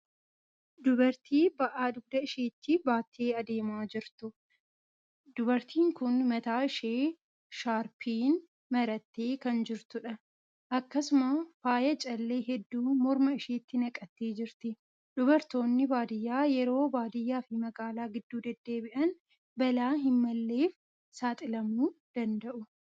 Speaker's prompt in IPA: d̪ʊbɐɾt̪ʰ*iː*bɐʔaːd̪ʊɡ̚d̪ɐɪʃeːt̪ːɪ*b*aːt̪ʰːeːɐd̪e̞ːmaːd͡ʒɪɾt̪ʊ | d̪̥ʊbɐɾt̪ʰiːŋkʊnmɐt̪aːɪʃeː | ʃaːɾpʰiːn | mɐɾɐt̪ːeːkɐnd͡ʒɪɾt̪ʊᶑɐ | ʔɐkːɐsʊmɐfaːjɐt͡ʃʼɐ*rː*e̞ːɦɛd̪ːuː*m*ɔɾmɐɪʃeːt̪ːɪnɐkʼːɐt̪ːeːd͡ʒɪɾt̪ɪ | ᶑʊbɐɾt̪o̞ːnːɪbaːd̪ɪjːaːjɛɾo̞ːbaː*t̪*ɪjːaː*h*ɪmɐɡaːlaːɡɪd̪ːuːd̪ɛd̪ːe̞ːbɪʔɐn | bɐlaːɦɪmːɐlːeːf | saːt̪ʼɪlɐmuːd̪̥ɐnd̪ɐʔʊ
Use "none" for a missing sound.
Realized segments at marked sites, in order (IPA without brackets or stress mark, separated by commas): iː, b, lː, m, d̪, f